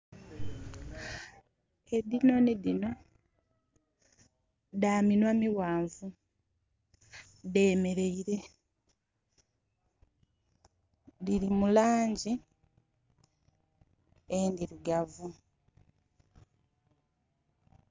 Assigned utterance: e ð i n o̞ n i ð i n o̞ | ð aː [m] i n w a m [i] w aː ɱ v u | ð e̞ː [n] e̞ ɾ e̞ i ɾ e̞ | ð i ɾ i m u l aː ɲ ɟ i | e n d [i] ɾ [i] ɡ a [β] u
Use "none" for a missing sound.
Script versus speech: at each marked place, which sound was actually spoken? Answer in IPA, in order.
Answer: m, i, m, i, i, v

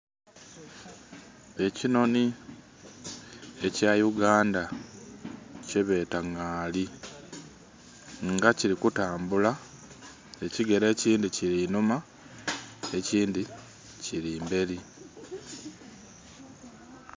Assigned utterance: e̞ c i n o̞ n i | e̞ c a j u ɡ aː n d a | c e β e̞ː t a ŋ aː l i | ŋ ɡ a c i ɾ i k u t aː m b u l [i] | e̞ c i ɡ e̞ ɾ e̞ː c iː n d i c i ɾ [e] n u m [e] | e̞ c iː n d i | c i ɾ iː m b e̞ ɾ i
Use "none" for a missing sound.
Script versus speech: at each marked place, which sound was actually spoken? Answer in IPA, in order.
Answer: a, i, a

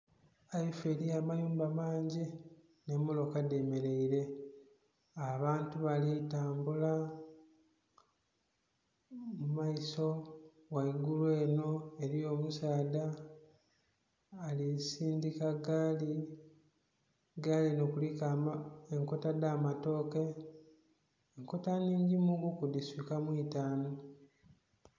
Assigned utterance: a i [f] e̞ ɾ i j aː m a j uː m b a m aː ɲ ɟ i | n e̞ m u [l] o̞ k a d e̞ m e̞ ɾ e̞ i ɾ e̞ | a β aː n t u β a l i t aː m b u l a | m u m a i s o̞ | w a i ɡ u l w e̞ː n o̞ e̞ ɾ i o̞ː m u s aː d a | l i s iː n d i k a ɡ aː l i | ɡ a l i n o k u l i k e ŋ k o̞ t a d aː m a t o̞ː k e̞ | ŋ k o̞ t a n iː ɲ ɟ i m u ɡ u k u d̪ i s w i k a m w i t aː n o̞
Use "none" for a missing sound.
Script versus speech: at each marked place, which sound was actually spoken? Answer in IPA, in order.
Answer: f, l

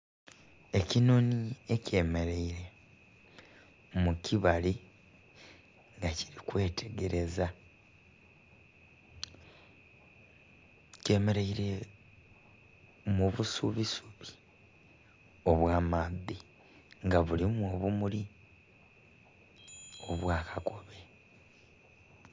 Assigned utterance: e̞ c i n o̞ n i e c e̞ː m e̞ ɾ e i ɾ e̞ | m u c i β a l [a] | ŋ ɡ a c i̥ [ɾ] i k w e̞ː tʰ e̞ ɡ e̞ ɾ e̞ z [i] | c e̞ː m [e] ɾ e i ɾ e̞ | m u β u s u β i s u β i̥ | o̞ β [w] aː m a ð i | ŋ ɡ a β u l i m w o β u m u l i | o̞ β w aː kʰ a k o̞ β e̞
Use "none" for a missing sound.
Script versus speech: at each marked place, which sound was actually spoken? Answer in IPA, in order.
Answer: i, ɾ, a, e, w

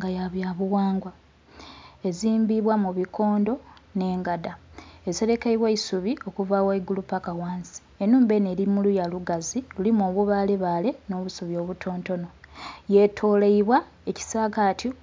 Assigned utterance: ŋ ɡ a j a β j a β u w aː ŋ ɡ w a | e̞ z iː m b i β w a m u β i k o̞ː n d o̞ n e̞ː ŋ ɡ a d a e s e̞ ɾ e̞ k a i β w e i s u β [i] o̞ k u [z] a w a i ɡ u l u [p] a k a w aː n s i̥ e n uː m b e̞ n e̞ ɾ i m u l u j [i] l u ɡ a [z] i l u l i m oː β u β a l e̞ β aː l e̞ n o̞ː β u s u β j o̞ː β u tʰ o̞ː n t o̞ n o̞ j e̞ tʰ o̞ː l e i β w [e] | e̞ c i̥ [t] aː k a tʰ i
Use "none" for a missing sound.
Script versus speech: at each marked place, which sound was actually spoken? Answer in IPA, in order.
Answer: i, v, p, a, z, a, s

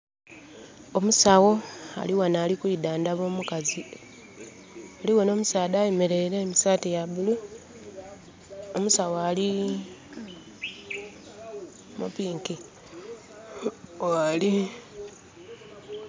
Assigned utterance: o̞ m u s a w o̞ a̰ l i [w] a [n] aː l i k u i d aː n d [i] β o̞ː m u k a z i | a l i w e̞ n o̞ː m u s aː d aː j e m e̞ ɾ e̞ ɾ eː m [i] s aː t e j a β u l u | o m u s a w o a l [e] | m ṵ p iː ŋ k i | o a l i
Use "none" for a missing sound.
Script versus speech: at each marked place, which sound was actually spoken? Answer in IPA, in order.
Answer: w, n, a, i, i

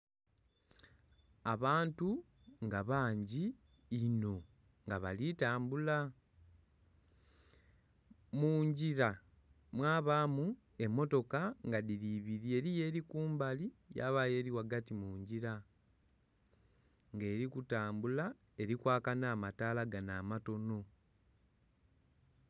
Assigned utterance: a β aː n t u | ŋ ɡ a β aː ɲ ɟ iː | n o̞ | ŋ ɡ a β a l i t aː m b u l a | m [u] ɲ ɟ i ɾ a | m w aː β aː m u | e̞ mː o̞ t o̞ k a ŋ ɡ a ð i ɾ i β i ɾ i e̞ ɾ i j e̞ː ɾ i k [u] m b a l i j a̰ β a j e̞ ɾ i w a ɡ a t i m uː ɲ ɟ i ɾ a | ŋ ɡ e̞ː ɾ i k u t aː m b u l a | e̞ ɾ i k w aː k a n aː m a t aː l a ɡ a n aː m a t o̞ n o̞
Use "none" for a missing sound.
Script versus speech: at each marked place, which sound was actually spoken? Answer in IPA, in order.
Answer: uː, uː

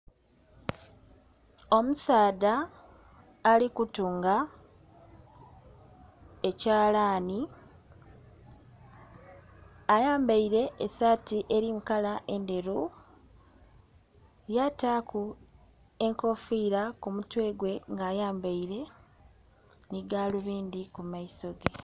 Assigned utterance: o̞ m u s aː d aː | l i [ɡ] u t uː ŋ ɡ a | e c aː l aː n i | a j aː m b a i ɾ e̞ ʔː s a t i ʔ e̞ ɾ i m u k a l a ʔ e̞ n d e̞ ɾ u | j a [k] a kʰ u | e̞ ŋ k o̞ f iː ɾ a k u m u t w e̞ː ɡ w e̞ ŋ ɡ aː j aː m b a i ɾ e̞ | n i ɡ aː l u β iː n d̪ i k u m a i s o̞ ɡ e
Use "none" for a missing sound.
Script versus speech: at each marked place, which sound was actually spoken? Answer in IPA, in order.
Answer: k, t

